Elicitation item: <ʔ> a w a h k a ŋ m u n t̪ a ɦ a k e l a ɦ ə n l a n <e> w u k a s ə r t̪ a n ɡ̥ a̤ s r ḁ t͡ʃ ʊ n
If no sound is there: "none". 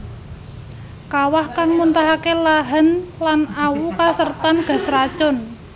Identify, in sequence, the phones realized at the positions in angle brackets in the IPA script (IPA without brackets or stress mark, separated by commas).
k, a